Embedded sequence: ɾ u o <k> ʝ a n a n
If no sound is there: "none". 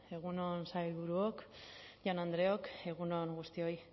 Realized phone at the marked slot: k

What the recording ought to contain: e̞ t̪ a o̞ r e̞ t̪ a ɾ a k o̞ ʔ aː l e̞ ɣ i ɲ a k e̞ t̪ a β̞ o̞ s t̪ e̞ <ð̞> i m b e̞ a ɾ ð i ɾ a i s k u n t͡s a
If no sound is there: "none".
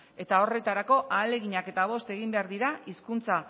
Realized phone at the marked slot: ɣ̞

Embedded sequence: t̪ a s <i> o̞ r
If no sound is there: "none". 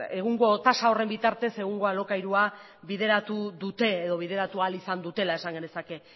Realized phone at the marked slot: a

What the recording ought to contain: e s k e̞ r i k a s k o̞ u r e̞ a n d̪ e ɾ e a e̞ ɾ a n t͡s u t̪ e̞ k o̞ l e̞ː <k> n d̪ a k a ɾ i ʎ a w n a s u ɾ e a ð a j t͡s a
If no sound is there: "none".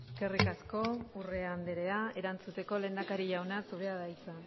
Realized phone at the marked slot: none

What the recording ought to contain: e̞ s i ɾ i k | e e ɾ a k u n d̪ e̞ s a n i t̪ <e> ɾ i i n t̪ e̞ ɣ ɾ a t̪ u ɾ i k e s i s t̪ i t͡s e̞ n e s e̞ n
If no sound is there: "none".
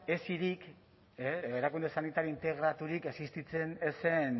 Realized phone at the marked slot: a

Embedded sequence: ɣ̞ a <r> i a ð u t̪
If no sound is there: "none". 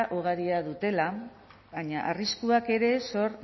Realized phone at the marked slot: ɾ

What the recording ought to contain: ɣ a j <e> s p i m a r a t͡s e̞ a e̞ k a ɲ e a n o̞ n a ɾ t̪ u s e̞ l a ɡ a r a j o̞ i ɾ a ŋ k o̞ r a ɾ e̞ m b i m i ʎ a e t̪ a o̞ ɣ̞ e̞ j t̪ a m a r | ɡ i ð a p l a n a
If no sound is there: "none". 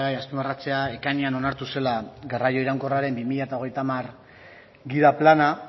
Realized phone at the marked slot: a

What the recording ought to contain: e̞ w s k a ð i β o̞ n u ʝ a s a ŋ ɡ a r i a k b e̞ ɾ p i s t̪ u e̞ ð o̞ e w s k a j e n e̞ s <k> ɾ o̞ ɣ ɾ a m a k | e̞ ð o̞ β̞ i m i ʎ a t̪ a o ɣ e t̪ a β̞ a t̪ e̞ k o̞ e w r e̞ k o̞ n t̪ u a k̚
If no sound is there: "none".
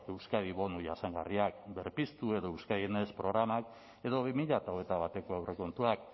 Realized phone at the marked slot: p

